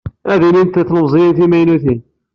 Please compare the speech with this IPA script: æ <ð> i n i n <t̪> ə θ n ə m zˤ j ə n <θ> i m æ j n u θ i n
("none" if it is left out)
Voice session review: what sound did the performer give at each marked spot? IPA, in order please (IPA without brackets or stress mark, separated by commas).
ð, t̪, θ